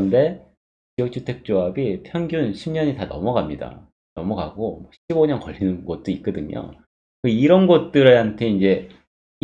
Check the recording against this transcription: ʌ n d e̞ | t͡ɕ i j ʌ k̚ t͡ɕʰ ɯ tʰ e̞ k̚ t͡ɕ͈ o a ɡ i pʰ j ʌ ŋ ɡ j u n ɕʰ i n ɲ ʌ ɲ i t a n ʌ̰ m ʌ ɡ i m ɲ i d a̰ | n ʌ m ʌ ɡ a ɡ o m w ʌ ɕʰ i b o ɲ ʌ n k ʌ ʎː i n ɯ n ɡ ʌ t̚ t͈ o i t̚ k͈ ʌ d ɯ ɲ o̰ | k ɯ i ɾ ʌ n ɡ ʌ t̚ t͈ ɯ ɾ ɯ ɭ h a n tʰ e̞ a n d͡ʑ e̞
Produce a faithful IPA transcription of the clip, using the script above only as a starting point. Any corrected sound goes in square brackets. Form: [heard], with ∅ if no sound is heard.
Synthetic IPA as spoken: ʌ n d e̞ | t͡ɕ i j ʌ k̚ t͡ɕʰ [u] tʰ e̞ k̚ t͡ɕ͈ o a [b] i pʰ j ʌ ŋ ɡ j u n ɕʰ i [m] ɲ ʌ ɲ i t a n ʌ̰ m ʌ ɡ [a] m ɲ i d a̰ | n ʌ m ʌ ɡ a ɡ o m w ʌ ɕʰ i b o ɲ ʌ n k ʌ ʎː i n ɯ n ɡ ʌ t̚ t͈ o i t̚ k͈ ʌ d ɯ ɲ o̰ | k ɯ i ɾ ʌ n ɡ ʌ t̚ t͈ ɯ ɾ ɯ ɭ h a n tʰ e̞ [i] n d͡ʑ e̞